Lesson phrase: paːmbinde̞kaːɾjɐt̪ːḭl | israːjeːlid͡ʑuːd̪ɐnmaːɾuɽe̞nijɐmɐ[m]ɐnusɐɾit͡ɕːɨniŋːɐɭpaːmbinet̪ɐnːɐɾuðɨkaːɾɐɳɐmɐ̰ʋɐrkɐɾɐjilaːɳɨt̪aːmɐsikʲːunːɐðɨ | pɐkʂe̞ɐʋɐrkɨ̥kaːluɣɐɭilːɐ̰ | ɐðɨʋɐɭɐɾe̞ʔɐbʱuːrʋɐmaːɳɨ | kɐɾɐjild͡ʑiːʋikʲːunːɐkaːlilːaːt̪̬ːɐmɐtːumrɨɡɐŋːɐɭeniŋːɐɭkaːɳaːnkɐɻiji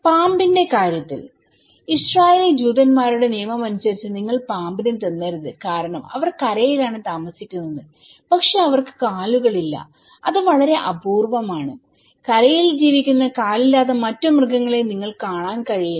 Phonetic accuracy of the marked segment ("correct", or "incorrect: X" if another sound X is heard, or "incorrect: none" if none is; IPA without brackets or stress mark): correct